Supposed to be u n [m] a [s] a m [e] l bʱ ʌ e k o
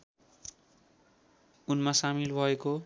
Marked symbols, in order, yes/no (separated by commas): yes, yes, no